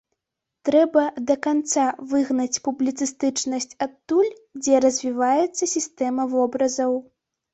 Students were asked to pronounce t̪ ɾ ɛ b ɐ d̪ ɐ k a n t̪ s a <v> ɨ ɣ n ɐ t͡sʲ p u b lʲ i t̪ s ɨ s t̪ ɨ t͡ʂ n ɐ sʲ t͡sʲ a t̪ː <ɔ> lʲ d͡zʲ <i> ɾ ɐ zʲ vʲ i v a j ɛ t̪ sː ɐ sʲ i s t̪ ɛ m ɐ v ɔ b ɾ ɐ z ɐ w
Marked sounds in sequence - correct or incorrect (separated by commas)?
correct, incorrect, incorrect